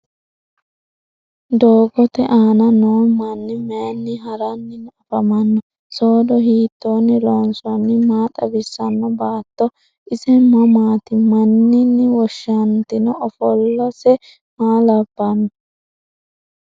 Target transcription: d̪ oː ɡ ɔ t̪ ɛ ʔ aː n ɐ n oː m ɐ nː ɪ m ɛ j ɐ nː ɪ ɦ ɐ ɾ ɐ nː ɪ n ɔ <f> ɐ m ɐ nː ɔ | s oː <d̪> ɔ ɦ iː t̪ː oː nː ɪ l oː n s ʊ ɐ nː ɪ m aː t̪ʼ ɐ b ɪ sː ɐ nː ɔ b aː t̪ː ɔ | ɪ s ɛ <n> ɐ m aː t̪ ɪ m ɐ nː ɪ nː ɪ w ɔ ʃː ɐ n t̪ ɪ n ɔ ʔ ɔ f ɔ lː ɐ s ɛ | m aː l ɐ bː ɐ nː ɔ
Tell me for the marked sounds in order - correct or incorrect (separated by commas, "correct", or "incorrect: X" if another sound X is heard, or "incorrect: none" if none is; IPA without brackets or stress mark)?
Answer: correct, correct, incorrect: m